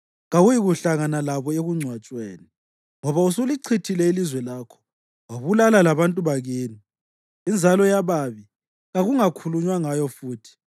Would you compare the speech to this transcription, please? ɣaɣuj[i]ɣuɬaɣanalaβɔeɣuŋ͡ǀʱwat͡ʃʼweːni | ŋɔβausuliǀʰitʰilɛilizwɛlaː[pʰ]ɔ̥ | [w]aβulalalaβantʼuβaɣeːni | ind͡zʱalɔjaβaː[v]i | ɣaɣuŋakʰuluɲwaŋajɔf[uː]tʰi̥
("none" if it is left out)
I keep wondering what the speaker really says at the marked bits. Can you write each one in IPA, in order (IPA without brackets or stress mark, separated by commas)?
i, kʰ, w, β, uː